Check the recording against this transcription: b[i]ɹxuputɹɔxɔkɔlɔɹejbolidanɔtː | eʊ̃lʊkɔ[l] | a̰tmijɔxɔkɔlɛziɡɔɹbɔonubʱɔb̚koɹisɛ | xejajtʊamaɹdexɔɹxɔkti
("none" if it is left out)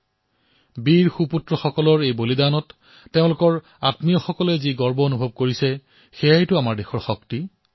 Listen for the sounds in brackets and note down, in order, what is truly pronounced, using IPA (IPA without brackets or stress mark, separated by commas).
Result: i, ɹ